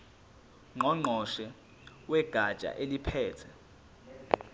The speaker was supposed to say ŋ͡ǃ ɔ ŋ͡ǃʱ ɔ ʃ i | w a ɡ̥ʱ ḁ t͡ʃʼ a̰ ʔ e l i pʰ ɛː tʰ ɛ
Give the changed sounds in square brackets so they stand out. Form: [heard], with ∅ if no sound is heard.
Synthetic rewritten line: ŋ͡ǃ ɔ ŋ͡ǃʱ ɔ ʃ [ɛ] | w [ɛ] ɡ̥ʱ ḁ t͡ʃʼ a̰ ʔ e l i pʰ ɛː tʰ ɛ

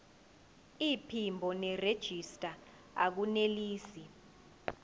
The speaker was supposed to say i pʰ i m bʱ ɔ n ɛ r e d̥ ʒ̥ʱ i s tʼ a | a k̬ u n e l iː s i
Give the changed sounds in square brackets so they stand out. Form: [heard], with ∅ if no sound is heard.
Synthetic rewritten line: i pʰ i m bʱ ɔ n ɛ r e d̥ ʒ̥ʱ i s tʼ a | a k̬ u n e l iː s i

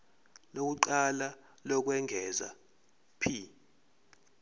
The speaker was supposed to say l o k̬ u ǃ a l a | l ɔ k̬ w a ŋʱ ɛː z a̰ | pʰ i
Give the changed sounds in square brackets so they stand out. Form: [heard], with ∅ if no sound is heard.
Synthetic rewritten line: l o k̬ u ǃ a l a | l ɔ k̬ w [ɛ] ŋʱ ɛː z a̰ | pʰ i

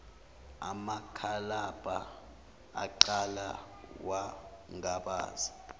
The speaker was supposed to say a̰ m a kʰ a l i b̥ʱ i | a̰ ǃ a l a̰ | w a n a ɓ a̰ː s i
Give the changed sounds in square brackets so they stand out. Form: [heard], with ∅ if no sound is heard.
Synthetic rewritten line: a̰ m a kʰ a l [a] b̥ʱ [a] | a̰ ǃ a l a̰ | w a [ŋ] a ɓ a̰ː [z] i

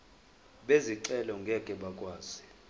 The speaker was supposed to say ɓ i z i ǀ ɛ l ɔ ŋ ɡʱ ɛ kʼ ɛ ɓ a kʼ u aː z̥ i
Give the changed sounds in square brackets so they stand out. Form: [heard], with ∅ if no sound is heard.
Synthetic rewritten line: ɓ [e] z i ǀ ɛ l ɔ ŋ ɡʱ ɛ kʼ ɛ ɓ a kʼ [w] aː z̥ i

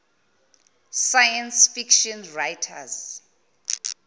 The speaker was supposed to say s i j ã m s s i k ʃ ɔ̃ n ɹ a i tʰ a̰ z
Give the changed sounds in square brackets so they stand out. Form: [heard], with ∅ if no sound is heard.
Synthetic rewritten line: s [a] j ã [n] s [f] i k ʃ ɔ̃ n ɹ a [j] tʰ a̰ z

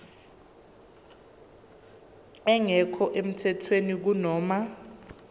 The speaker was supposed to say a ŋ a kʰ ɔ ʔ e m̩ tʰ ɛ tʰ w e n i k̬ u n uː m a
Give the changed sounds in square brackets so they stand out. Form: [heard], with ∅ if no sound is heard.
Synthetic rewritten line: [ɛ] ŋ [ɛ] kʰ ɔ ʔ e m̩ tʰ ɛ tʰ w e n i k̬ u n [ɔː] m a

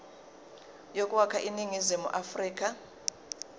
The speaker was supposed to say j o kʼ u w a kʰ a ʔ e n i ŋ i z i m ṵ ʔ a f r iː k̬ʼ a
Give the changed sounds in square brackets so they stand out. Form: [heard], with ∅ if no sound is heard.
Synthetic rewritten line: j o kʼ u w a kʰ a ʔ [i] n i ŋ i z i m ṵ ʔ a f r iː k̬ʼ a

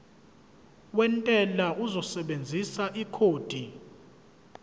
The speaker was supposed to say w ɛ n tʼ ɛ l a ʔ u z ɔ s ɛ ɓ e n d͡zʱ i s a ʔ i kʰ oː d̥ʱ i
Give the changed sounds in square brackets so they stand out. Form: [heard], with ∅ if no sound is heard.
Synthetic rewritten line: w ɛ n tʼ ɛ l a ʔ u z ɔ s ɛ ɓ e n d͡zʱ i s a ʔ i kʰ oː d̥ʱ i

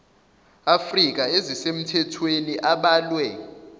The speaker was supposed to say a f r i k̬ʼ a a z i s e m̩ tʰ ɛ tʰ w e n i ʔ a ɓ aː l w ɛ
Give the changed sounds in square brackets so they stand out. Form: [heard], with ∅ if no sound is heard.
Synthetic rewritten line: a f r i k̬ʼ a [e] z i s e m̩ tʰ ɛ tʰ w e n i ʔ a ɓ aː l w ɛ

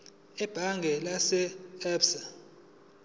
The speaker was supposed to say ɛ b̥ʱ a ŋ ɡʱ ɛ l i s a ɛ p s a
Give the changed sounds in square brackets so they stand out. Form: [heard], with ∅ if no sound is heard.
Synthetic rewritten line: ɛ b̥ʱ a ŋ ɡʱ ɛ l [a] s [ɛ] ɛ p s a

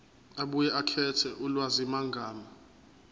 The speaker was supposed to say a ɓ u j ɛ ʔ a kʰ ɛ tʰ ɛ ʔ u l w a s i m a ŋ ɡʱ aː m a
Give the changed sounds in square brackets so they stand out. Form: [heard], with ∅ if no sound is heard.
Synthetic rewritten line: a ɓ u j ɛ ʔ a kʰ ɛ tʰ ɛ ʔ u l w a [z] i m a ŋ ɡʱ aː m a

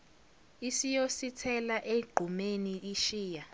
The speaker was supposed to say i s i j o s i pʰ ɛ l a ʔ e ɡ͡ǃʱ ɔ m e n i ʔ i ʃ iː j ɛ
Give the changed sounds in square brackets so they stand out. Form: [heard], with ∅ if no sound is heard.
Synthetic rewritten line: i s i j o s i [tʰ] ɛ l a ʔ e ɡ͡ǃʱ [u] m e n i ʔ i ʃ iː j [a]

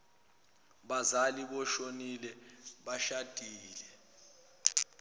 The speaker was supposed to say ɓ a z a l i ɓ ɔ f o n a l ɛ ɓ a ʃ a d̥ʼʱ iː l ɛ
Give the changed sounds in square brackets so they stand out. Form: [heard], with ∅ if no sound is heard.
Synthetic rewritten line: ɓ a z a l i ɓ ɔ [ʃ] o n [i] l ɛ ɓ a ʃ a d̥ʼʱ iː l ɛ

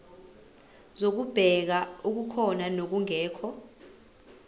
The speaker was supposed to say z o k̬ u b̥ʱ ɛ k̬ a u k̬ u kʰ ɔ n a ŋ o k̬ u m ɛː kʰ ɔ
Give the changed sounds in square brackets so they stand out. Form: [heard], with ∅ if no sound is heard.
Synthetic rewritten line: z o k̬ u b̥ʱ ɛ k̬ a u k̬ u kʰ ɔ n a [n] o k̬ u [ŋ] ɛː kʰ ɔ

